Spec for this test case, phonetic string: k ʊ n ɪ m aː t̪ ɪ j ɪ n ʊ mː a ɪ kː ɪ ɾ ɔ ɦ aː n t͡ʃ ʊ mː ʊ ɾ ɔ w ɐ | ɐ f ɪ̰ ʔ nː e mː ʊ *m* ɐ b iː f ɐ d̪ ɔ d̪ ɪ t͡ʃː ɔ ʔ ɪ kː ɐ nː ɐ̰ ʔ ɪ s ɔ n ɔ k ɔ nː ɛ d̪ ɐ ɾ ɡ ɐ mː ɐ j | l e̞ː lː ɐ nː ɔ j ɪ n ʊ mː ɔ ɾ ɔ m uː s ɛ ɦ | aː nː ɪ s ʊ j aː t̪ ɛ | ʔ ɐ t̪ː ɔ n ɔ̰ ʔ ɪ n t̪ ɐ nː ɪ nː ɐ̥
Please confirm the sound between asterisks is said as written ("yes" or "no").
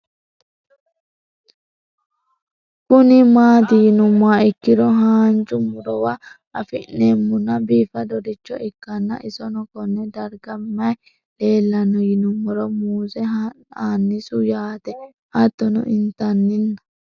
no